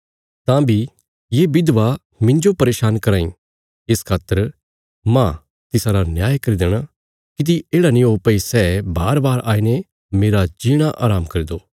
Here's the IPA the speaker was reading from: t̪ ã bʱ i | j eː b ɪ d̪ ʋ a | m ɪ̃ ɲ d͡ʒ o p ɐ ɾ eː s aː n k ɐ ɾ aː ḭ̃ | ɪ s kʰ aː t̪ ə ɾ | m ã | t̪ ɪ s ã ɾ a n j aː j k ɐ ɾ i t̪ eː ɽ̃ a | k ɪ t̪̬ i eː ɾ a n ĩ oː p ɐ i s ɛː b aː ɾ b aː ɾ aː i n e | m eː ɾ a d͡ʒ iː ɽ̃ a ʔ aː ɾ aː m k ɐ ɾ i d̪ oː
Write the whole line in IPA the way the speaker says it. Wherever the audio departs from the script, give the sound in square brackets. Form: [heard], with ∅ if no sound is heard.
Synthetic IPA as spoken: t̪ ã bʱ i | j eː b ɪ d̪ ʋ a | m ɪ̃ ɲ d͡ʒ o p ɐ ɾ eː [ʃ] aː n k ɐ ɾ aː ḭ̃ | ɪ s kʰ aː t̪ ə ɾ | m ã | t̪ ɪ s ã ɾ a n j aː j k ɐ ɾ i [d̪] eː ɽ̃ a | k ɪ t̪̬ i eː [ɽ] a n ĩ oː p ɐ i s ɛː b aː ɾ b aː ɾ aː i n e | m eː ɾ a d͡ʒ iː ɽ̃ a ʔ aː ɾ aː m k ɐ ɾ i d̪ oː